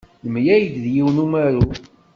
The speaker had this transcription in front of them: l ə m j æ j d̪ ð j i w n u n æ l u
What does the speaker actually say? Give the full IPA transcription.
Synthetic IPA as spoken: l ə m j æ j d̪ ð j i w n u m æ ɾ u